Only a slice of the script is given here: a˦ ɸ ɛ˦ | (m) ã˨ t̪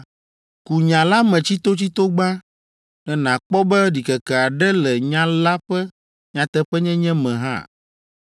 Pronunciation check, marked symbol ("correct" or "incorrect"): incorrect